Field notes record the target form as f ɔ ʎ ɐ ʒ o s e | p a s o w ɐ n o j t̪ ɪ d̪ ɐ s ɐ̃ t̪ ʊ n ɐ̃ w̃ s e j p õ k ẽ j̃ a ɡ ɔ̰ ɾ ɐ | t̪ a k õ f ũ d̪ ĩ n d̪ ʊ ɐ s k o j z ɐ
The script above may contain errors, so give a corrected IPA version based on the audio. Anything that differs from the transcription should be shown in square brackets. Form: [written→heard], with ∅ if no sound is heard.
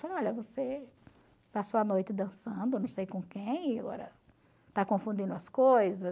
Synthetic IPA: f ɔ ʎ ɐ [ʒ→v] o s e | p a s o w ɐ n o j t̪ ɪ d̪ [ɐ→ɐ̃] s ɐ̃ [t̪→d̪] ʊ n ɐ̃ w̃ s e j [p→k] õ k ẽ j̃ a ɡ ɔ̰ ɾ ɐ | t̪ a k õ f ũ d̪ ĩ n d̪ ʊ ɐ s k o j z ɐ